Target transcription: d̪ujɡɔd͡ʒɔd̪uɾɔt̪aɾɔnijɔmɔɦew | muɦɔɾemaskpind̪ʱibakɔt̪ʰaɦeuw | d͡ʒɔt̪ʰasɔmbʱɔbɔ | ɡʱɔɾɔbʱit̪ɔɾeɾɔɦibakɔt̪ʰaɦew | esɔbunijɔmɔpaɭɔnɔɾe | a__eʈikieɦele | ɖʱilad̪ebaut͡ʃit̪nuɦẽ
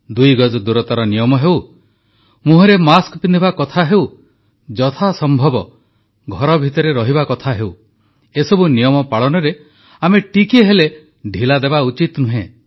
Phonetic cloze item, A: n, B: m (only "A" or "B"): B